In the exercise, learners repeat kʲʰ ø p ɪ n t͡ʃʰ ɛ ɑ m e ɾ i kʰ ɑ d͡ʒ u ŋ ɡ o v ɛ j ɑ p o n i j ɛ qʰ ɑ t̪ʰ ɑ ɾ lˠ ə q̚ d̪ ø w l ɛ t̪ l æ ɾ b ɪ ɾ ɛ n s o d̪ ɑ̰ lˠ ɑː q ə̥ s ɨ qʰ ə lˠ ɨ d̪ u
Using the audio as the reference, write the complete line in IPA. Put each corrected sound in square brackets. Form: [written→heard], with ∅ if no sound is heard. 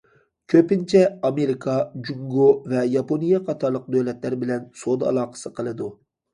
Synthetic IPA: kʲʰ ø p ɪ n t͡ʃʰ ɛ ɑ m e ɾ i kʰ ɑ d͡ʒ u ŋ ɡ o v ɛ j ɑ p o n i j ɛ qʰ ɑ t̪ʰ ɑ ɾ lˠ ə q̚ d̪ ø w l ɛ t̪ l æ ɾ b ɪ [ɾ→l] ɛ n s o d̪ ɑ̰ lˠ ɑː q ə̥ s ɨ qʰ ə lˠ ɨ d̪ u